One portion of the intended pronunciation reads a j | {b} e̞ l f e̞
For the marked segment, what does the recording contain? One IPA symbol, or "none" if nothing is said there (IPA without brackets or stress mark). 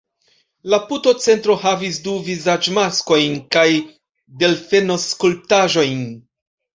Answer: d